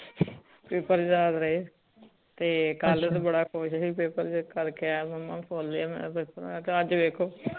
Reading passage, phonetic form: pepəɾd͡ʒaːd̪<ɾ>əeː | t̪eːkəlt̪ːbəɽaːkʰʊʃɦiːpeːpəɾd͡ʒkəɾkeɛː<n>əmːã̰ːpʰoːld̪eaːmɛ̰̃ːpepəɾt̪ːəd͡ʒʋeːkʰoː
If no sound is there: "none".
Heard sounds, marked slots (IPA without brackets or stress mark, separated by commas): ɾ, m